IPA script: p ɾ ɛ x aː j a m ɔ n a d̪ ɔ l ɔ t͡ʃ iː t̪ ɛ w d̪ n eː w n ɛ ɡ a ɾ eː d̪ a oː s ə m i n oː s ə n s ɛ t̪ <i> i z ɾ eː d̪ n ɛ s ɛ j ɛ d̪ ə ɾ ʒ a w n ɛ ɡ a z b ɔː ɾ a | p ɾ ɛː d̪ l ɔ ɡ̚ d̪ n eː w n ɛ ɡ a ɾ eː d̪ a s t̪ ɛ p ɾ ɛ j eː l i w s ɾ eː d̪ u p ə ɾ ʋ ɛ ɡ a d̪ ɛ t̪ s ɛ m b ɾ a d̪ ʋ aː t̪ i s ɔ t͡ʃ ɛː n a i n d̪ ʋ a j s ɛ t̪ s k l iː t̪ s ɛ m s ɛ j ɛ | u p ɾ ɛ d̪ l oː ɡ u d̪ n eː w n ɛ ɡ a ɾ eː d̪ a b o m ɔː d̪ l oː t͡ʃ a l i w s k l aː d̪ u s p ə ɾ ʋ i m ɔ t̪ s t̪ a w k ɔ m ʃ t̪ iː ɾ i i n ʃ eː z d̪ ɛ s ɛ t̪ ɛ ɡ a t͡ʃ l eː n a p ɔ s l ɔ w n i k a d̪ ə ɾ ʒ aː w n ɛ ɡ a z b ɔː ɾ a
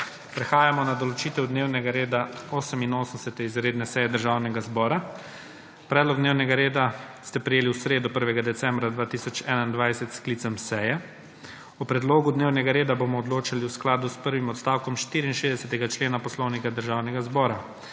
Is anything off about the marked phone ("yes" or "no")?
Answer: yes